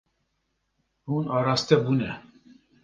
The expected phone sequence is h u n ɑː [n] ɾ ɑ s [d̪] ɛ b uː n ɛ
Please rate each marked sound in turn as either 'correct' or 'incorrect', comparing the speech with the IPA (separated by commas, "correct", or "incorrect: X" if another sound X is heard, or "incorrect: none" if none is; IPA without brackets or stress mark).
incorrect: none, incorrect: t̪